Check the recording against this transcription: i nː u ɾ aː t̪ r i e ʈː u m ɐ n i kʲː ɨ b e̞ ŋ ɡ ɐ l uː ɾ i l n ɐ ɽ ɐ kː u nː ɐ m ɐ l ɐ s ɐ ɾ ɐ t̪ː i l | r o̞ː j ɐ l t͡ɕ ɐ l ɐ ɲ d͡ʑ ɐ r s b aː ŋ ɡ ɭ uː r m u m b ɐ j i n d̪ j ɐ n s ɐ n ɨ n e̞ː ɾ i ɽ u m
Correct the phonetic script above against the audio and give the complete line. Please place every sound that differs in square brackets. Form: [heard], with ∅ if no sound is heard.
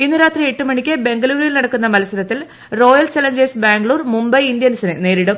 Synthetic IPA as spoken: i nː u ɾ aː t̪ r i e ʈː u m ɐ [ɳ] i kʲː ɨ b e̞ ŋ ɡ ɐ l uː ɾ i l n ɐ ɽ ɐ kː u nː ɐ m ɐ l ɐ s ɐ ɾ ɐ t̪ː i l | r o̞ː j ɐ l t͡ɕ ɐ l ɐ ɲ d͡ʑ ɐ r s b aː ŋ ɡ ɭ uː r m u m b ɐ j i n d̪ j ɐ n s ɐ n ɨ n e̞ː ɾ i ɽ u m